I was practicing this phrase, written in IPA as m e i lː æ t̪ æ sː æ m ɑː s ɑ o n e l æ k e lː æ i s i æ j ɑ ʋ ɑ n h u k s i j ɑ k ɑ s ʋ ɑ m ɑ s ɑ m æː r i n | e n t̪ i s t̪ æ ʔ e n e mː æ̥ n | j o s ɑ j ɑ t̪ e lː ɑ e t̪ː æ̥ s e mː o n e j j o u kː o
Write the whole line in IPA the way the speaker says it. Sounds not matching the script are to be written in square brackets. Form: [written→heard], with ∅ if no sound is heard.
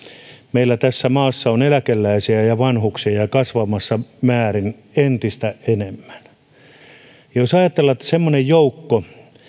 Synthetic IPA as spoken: m e i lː æ t̪ æ sː æ m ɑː [s→sː] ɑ o n e l æ k e lː æ i s i æ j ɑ ʋ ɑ n h u k s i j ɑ k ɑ s ʋ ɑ m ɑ [s→sː] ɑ m æː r i n | e n t̪ i s t̪ æ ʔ e n e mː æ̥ n | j o s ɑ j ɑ t̪ e lː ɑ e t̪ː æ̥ s e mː o n e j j o u kː o